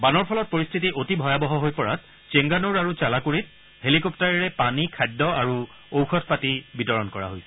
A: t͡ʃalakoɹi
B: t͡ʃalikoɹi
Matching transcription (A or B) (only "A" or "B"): A